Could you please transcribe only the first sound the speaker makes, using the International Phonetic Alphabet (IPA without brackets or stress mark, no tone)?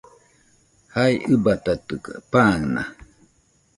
h